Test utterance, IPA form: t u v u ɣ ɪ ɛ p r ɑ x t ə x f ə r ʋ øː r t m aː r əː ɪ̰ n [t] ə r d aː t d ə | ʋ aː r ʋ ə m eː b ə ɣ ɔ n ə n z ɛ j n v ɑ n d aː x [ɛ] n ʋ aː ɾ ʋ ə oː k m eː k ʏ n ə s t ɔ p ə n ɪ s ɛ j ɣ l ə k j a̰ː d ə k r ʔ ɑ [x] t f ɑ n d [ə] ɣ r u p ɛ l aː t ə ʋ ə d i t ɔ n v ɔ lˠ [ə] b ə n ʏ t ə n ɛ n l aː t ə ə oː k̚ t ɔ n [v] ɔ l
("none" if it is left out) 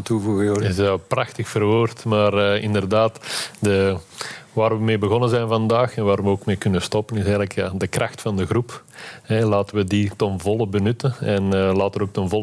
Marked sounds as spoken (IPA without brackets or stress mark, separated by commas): d, ɛ, x, ə, ə, v